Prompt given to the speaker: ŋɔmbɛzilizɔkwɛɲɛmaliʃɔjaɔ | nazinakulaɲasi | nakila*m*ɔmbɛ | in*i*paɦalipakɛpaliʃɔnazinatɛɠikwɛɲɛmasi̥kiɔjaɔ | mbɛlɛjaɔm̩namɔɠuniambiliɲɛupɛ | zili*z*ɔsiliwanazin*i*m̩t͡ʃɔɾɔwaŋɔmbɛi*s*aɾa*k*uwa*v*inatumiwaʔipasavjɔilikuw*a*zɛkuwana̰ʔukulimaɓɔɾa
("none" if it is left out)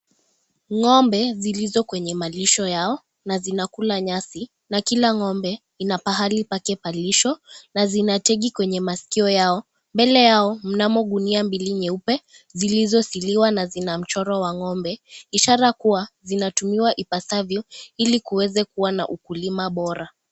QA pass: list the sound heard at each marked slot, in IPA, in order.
ŋ, a, z, a, ʃ, k, z, ɛ

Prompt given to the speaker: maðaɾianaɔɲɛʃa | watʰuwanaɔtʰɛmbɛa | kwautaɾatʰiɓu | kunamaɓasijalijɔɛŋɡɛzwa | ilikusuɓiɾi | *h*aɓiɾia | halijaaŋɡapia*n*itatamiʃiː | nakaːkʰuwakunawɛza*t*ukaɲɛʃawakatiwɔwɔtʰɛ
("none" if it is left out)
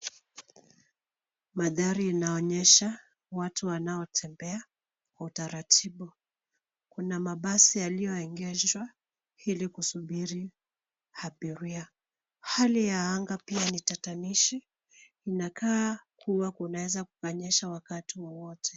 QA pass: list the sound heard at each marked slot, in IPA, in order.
h, n, k

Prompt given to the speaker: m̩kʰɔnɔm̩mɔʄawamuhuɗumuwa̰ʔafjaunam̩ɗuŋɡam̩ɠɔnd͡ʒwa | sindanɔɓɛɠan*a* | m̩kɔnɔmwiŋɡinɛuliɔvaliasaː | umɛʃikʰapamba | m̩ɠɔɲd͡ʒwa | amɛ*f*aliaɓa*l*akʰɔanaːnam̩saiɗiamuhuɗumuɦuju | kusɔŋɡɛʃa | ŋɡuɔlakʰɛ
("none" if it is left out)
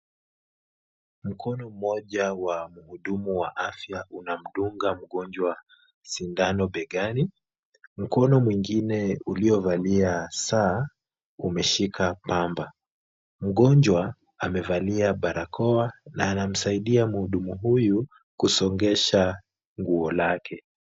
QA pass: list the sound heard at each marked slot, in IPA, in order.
i, v, ɾ

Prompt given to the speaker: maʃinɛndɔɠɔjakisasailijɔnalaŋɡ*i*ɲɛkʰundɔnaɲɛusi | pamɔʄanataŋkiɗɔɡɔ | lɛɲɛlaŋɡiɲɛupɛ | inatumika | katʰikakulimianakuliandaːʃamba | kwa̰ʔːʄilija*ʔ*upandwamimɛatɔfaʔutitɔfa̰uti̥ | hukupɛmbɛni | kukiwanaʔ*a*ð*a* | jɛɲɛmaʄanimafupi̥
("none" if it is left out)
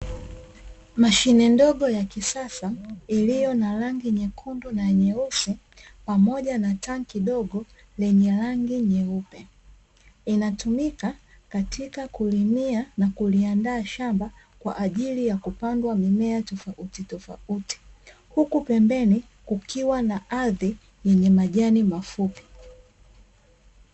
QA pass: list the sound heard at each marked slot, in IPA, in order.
i, k, a, i

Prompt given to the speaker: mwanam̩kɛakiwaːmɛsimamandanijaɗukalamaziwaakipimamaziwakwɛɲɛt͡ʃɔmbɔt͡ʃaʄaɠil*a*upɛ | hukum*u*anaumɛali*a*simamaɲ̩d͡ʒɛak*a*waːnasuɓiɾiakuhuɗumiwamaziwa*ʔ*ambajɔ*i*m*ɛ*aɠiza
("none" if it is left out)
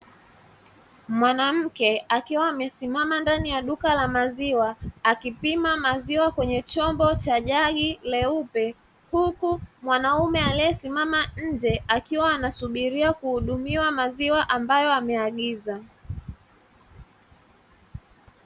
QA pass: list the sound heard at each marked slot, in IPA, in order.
ɛ, w, ɛ, i, ʔ, a, ɛ

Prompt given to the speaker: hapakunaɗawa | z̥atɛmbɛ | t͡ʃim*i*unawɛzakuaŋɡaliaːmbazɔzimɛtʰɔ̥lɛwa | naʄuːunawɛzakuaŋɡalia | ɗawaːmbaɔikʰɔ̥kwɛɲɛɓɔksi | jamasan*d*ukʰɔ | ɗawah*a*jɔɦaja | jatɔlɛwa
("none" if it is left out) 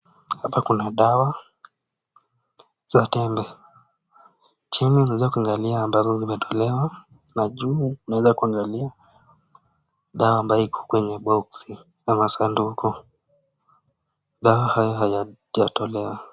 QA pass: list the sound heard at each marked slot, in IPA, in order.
i, d, a

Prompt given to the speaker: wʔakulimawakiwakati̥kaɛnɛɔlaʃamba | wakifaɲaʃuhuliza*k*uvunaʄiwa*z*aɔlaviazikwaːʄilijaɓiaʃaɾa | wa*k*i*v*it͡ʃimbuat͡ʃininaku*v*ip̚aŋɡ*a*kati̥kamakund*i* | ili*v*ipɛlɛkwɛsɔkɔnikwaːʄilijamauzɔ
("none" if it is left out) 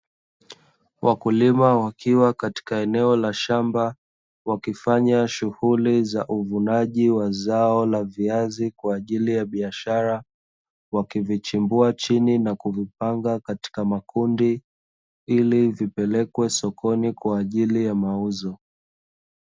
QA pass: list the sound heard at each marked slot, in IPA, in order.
ʔ, z, k, v, v, a, i, v

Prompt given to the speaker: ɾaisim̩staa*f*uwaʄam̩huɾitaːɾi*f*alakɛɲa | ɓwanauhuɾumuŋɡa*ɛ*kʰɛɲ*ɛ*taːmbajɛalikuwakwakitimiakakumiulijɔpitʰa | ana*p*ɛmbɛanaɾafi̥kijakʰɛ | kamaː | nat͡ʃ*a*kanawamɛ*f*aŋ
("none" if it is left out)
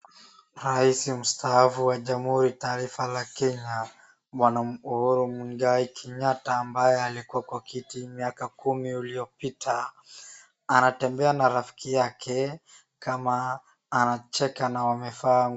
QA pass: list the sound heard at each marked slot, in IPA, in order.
f, f, i, a, t, ɛ, f

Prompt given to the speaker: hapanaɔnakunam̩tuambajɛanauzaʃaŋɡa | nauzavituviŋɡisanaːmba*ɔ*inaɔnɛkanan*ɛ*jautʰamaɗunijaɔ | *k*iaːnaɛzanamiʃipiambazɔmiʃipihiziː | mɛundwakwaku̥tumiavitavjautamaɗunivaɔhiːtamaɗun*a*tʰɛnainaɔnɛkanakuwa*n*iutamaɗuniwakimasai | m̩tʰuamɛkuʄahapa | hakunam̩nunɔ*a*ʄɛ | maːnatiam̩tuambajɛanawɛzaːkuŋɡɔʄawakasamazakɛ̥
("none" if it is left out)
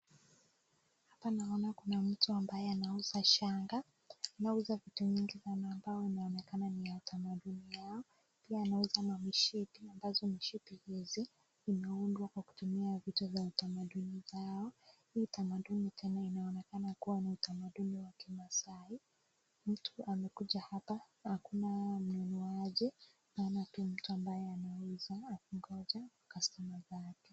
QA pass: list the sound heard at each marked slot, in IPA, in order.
ɔ, i, p, i, n, a

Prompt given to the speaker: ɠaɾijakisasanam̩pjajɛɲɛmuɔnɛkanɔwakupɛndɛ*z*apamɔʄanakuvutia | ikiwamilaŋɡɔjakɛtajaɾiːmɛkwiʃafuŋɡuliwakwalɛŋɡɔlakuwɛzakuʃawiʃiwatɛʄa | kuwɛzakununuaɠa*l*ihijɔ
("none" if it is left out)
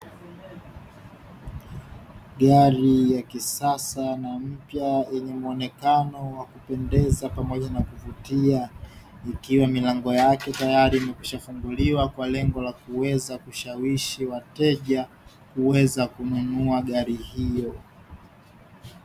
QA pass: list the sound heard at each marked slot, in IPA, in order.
z, ɾ

